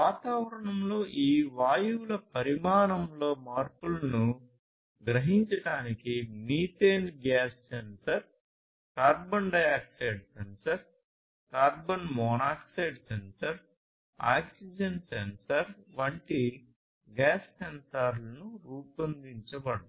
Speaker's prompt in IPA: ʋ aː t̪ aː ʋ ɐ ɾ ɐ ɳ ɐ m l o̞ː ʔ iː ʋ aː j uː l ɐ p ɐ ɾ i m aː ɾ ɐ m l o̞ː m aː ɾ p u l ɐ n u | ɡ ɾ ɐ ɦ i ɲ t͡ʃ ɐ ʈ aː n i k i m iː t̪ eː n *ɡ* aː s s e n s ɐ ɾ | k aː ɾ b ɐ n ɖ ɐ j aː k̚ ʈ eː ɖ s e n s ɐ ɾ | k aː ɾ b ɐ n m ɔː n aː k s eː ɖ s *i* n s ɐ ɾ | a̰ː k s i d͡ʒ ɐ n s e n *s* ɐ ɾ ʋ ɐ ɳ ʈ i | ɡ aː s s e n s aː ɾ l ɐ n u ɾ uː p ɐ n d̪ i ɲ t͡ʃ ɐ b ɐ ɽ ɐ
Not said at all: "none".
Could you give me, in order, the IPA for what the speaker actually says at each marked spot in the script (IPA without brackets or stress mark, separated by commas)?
ɡ, e, s